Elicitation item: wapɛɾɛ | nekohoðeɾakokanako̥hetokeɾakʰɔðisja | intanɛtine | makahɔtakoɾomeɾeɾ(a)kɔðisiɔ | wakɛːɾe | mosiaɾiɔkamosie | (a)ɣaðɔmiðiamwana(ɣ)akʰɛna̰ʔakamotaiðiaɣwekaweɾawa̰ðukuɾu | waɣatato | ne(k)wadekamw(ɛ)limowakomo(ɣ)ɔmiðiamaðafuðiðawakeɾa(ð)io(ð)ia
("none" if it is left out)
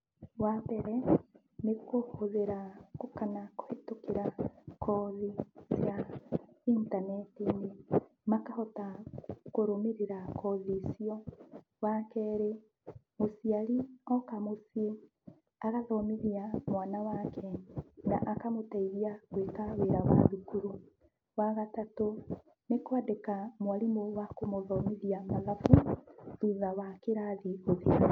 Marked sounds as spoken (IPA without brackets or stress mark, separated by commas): a, a, w, k, a, ð, ð, ð